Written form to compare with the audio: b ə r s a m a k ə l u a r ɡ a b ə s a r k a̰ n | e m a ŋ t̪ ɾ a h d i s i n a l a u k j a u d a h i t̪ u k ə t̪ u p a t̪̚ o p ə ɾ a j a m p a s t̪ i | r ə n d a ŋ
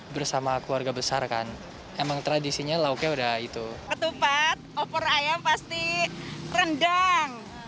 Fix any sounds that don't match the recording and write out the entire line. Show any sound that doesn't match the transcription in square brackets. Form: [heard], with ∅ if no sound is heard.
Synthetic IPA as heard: b ə r s a m a k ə l u a r ɡ a b ə s a r k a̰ n | e m a ŋ t̪ ɾ a [∅] d i s i [ɲ] a l a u k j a u d a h i t̪ u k ə t̪ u p a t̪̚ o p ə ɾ a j a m p a s t̪ i | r ə n d a ŋ